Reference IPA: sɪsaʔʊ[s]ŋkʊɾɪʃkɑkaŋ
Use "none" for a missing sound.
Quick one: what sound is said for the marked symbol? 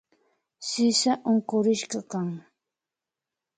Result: none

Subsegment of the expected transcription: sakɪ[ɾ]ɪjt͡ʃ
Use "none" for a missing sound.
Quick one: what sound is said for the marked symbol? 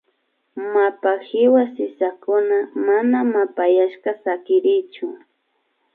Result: ɾ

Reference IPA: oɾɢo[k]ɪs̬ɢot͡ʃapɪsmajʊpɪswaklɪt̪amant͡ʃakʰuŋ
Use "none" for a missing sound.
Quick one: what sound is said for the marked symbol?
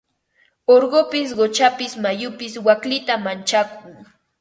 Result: p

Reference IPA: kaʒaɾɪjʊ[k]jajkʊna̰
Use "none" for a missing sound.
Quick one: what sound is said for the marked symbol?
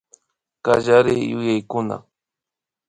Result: none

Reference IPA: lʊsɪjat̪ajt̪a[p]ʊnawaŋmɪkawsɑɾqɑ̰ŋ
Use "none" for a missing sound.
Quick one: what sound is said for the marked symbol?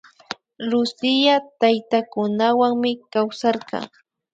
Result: k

